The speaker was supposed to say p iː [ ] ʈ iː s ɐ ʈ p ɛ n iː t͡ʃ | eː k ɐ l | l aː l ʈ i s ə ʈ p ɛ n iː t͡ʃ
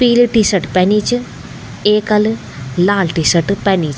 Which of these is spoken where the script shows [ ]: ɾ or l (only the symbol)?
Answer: l